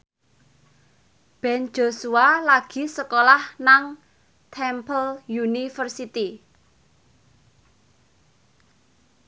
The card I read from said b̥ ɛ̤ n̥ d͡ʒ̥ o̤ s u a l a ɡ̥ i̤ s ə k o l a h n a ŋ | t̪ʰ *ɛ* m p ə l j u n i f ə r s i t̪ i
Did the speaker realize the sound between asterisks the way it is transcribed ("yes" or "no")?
yes